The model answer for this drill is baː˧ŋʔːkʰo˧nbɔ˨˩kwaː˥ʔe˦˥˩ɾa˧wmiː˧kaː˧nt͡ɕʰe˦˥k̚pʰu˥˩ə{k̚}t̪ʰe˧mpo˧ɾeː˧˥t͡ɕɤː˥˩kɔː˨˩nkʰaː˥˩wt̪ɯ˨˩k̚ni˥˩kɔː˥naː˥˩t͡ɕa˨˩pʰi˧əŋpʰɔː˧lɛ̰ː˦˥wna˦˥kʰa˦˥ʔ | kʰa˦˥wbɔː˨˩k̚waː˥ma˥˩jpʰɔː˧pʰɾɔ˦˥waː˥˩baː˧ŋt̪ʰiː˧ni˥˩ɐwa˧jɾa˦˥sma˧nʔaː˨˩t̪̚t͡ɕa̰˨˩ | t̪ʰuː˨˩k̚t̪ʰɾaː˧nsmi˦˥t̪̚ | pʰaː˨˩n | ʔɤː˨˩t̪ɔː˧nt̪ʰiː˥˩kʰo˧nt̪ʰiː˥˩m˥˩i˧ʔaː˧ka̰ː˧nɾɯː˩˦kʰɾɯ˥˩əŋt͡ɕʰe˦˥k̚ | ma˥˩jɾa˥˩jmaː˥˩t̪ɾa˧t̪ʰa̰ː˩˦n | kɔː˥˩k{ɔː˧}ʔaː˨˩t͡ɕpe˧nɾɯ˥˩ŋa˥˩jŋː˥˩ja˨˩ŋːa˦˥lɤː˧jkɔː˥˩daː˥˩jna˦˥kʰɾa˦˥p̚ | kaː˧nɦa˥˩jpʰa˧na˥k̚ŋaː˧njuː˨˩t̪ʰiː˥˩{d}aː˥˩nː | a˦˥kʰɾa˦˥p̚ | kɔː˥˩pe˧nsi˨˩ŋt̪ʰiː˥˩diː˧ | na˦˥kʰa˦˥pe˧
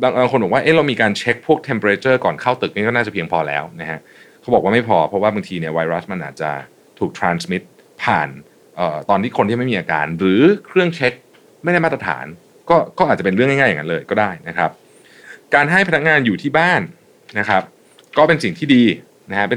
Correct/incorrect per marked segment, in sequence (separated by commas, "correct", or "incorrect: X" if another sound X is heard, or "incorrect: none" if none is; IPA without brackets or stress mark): correct, incorrect: ɔː˥˩, incorrect: b